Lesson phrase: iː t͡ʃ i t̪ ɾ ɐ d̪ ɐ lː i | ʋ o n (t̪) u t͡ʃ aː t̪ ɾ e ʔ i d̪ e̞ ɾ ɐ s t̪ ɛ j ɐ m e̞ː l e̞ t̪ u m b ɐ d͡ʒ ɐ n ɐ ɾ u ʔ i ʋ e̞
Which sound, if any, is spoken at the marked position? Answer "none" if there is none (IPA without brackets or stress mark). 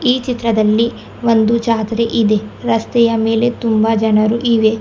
d̪